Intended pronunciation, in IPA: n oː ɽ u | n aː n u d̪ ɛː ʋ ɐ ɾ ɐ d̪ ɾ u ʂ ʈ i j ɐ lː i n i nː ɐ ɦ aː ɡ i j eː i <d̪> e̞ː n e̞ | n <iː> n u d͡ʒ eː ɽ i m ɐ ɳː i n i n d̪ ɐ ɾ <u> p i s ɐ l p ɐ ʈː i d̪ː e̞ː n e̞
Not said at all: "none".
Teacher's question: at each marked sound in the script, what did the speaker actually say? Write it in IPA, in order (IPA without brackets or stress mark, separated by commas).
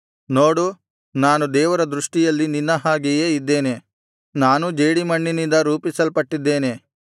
d̪ː, aː, uː